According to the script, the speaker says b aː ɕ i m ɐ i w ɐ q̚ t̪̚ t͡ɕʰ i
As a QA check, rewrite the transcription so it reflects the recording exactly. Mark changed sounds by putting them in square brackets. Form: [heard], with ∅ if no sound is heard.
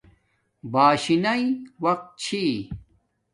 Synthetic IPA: b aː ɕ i [n] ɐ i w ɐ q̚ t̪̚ t͡ɕʰ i